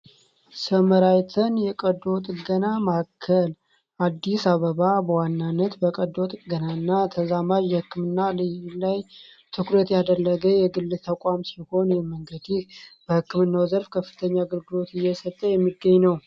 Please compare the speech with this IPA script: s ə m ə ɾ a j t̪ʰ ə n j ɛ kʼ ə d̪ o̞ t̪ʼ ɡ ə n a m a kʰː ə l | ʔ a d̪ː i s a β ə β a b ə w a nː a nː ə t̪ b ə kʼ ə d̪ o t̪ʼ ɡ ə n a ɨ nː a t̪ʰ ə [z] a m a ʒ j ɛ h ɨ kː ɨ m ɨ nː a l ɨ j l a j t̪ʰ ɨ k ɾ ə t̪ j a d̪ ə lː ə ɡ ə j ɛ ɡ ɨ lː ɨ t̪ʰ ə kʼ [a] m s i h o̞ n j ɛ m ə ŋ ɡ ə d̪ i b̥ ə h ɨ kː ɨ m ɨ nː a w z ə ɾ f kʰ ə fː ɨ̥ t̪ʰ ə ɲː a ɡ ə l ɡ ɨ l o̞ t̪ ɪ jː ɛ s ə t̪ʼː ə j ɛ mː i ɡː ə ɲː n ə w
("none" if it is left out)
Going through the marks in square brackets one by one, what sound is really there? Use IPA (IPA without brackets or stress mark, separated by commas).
z, a